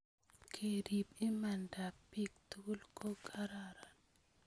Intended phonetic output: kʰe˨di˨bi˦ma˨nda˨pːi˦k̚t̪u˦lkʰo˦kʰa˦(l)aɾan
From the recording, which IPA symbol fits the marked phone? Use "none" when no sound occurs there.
ɾ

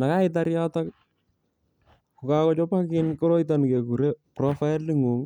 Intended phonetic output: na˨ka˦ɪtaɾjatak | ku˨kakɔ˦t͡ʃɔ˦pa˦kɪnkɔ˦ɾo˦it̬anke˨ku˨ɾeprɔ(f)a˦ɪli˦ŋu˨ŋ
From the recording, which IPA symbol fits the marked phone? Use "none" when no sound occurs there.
f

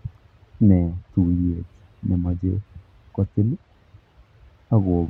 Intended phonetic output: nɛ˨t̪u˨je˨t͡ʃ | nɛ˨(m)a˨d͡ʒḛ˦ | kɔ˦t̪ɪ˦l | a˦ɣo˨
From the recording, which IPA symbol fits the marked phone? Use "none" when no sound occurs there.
m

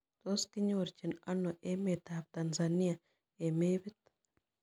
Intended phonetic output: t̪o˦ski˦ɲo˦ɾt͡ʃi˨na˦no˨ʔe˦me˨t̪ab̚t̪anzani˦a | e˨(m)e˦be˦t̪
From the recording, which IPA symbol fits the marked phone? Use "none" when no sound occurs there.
m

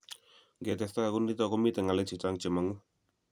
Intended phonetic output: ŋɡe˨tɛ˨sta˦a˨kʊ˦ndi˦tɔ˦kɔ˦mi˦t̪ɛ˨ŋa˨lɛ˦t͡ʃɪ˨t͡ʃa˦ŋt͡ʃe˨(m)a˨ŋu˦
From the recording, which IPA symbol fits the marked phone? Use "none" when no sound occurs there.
m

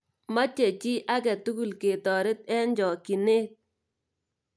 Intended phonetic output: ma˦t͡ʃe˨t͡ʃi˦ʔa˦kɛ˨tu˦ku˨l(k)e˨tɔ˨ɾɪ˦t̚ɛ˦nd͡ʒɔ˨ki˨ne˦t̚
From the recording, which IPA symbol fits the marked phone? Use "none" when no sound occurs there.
k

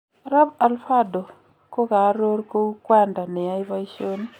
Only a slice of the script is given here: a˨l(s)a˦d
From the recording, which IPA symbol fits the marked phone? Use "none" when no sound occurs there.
f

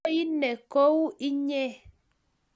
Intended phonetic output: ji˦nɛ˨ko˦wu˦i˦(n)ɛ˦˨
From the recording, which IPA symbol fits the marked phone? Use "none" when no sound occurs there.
ɲ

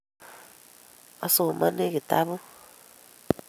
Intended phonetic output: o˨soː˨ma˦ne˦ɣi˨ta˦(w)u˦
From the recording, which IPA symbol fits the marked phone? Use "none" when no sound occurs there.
β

